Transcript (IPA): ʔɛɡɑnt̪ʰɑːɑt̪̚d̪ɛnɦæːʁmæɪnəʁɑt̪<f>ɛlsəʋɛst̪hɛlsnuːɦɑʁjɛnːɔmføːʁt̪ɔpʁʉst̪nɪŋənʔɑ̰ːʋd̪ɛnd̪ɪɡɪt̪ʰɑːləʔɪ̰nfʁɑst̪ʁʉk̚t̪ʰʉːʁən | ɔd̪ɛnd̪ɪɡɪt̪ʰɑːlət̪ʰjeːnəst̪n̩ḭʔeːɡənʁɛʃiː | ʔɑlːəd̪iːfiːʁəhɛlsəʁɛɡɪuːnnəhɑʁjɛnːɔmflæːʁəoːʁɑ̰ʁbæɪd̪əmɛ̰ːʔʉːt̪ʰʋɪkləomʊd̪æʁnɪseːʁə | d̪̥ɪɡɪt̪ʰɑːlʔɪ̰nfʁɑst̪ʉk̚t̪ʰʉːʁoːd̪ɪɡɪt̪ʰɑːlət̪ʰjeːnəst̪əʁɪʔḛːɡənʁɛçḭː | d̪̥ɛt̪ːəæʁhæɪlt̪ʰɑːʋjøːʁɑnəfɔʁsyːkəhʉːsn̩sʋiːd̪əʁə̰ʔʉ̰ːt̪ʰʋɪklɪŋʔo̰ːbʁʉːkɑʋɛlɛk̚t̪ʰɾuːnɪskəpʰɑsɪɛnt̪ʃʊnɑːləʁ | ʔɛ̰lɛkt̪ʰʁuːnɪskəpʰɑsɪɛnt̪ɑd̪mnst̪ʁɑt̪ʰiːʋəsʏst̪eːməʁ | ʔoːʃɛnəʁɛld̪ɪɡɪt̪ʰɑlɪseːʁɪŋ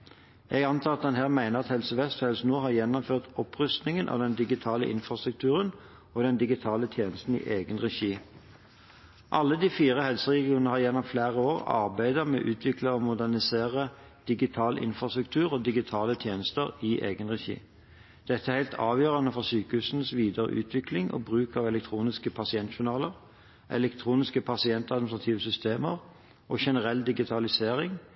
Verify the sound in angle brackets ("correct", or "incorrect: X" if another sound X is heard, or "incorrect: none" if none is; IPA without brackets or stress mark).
incorrect: h